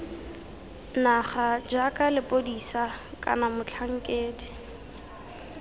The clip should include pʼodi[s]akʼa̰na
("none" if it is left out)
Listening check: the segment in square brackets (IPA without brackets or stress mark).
s